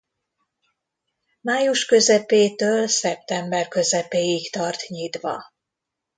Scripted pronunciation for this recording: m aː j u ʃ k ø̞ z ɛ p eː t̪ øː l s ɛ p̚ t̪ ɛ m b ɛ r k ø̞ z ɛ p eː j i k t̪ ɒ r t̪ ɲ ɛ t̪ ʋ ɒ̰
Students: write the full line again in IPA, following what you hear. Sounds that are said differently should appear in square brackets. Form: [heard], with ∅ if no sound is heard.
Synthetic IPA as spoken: m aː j u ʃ k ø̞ z ɛ p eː t̪ øː l s ɛ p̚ t̪ ɛ m b ɛ r k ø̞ z ɛ p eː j i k t̪ ɒ r t̪ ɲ [i] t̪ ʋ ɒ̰